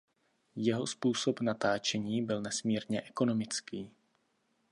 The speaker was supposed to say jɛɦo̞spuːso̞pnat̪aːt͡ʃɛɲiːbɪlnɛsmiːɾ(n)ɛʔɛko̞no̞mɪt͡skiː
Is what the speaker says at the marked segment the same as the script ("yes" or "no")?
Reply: no